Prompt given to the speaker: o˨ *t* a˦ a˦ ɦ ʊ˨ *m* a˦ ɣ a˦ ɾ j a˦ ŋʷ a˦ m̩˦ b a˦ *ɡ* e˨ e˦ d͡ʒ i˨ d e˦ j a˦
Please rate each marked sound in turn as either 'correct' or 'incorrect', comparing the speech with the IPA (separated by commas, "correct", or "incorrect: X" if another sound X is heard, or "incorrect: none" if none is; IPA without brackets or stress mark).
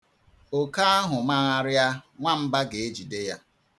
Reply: incorrect: k, correct, correct